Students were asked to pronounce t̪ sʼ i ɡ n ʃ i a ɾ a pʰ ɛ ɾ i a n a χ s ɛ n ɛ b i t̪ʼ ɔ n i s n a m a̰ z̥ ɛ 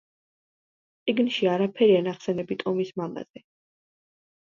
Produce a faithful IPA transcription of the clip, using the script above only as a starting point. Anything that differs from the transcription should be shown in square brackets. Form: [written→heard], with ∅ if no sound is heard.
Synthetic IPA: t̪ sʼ i ɡ n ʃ i a ɾ a pʰ ɛ ɾ i a n a χ s ɛ n ɛ b i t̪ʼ ɔ [n→m] i s [n→m] a m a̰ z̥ ɛ

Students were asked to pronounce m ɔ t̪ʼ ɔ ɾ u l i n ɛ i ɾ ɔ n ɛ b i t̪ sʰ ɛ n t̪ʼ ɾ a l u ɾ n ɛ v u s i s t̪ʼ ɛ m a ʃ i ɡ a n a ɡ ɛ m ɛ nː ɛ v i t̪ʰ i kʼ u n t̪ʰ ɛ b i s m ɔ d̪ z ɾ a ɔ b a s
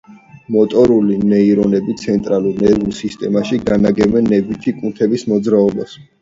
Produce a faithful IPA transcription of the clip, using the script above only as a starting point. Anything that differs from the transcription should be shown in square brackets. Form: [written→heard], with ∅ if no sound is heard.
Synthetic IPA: m ɔ t̪ʼ ɔ ɾ u l i n ɛ i ɾ ɔ n ɛ b i t̪ sʰ ɛ n t̪ʼ ɾ a l u ɾ n ɛ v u s i s t̪ʼ ɛ m a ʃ i ɡ a n a ɡ ɛ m ɛ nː ɛ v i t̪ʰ i kʼ u n t̪ʰ ɛ b i s m ɔ d̪ z ɾ a ɔ b a s

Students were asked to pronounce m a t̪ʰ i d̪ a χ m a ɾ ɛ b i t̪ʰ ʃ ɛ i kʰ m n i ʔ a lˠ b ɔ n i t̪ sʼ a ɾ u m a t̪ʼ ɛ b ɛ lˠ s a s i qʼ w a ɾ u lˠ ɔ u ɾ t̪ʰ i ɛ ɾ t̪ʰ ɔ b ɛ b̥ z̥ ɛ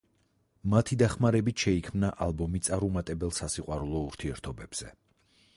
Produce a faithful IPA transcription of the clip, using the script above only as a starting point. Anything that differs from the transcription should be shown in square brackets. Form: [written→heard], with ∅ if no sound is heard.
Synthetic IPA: m a t̪ʰ i d̪ a χ m a ɾ ɛ b i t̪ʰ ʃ ɛ i kʰ m n [i→a] ʔ a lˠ b ɔ [n→m] i t̪ sʼ a ɾ u m a t̪ʼ ɛ b ɛ lˠ s a s i qʼ w a ɾ u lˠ ɔ u ɾ t̪ʰ i ɛ ɾ t̪ʰ ɔ b ɛ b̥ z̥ ɛ

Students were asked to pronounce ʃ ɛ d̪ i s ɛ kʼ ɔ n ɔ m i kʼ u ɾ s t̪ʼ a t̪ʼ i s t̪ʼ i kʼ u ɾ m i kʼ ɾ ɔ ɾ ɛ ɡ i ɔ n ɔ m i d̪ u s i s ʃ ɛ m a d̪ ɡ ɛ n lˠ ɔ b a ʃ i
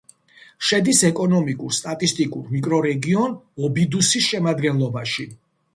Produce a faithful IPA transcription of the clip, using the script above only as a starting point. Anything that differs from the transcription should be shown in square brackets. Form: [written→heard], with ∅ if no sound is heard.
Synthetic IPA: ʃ ɛ d̪ i s ɛ kʼ ɔ n ɔ m i kʼ u ɾ s t̪ʼ a t̪ʼ i s t̪ʼ i kʼ u ɾ m i kʼ ɾ ɔ ɾ ɛ ɡ i ɔ n ɔ [m→b] i d̪ u s i s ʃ ɛ m a d̪ ɡ ɛ n lˠ ɔ b a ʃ i

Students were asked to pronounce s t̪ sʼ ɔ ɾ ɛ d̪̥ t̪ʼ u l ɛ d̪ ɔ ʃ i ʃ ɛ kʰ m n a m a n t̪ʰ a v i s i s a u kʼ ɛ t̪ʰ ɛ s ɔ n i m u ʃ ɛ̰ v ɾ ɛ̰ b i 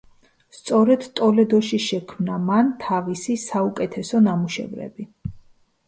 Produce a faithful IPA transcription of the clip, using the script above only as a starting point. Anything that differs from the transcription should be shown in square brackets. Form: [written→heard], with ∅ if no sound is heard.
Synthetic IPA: s t̪ sʼ ɔ ɾ ɛ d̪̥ t̪ʼ [u→ɔ] l ɛ d̪ ɔ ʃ i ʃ ɛ kʰ m n a m a n t̪ʰ a v i s i s a u kʼ ɛ t̪ʰ ɛ s ɔ n [i→a] m u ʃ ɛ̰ v ɾ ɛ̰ b i

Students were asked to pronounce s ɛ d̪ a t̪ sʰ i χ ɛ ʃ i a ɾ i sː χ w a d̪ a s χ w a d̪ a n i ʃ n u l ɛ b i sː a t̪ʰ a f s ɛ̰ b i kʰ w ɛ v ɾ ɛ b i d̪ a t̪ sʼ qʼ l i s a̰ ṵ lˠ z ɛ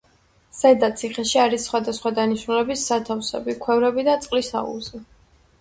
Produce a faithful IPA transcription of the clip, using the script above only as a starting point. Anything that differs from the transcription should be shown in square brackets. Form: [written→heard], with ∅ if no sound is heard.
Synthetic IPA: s ɛ d̪ a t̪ sʰ i χ ɛ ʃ i a ɾ i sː χ w a d̪ a s χ w a d̪ a n i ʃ n u l ɛ b i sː a t̪ʰ a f s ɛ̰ b i kʰ w ɛ v ɾ ɛ b i d̪ a t̪ sʼ qʼ l i s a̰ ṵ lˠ z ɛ

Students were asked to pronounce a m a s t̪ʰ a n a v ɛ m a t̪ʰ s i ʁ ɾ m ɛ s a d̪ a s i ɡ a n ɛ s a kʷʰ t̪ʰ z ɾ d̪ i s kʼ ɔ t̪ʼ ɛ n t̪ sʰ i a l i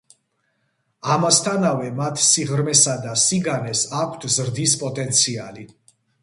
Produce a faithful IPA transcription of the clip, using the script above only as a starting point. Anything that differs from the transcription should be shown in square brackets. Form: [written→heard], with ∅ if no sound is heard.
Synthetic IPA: a m a s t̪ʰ a n a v ɛ m a t̪ʰ s i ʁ ɾ m ɛ s a d̪ a s i ɡ a n ɛ s a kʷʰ t̪ʰ z ɾ d̪ i s [kʼ→pʼ] ɔ t̪ʼ ɛ n t̪ sʰ i a l i

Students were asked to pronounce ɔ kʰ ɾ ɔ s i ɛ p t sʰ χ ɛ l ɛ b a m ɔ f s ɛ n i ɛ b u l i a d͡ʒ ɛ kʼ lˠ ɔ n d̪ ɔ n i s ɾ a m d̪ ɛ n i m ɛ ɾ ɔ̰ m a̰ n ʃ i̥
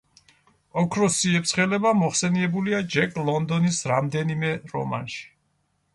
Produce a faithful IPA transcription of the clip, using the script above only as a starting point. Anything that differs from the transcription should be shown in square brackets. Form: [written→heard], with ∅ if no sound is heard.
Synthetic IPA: ɔ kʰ ɾ ɔ s i ɛ p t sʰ χ ɛ l ɛ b a m ɔ [f→χ] s ɛ n i ɛ b u l i a d͡ʒ ɛ kʼ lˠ ɔ n d̪ ɔ n i s ɾ a m d̪ ɛ n i m ɛ ɾ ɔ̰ m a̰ n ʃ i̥

